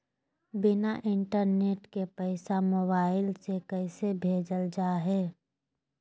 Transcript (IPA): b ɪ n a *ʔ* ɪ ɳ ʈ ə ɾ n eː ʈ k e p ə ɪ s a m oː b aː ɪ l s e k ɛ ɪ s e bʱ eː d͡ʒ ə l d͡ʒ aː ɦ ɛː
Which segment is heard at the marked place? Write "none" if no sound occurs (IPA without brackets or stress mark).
ʔ